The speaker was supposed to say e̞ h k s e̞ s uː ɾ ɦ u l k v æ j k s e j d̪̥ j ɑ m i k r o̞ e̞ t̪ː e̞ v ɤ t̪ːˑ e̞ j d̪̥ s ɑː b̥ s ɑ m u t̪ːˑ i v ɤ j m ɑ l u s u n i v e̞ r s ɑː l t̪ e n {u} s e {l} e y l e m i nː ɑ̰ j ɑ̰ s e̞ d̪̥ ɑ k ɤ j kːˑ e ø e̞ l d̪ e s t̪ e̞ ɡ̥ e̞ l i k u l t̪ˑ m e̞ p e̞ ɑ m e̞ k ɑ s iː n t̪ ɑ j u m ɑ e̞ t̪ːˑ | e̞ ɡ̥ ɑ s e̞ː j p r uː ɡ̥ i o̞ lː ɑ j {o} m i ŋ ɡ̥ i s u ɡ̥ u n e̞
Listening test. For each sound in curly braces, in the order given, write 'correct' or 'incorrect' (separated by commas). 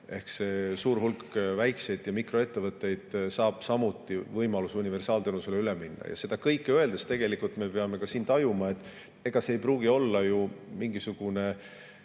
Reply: correct, correct, incorrect